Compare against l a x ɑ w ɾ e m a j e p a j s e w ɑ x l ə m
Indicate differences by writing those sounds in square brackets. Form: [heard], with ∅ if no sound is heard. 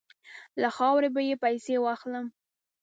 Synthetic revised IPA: l a x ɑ w ɾ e [b] a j e p a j s e w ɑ x l ə m